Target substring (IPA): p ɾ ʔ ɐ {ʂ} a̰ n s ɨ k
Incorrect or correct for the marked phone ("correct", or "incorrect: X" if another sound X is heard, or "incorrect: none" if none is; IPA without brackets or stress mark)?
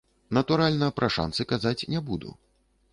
correct